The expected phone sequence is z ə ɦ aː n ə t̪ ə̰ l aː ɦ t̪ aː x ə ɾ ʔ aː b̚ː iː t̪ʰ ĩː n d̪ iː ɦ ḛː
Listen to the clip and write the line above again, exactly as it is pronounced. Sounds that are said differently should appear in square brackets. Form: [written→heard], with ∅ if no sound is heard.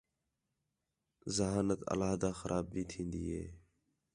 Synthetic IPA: z ə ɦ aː n ə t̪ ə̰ l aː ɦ [t̪→d̪] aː x ə ɾ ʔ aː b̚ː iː t̪ʰ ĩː n d̪ iː ɦ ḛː